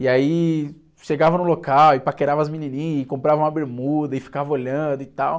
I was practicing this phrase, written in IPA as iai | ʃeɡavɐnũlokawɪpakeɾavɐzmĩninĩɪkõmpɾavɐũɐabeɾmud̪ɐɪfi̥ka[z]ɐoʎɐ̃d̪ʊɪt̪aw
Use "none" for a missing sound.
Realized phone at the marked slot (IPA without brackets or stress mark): v